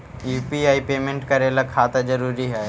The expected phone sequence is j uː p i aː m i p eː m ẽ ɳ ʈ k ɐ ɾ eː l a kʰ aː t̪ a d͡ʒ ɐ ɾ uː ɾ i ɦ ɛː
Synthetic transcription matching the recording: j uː p i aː i p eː m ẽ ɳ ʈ k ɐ ɾ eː l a kʰ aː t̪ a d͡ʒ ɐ ɾ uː ɾ i ɦ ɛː